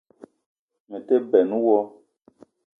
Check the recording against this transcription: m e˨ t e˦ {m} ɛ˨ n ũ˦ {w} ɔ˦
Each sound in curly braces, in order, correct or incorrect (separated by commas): incorrect, correct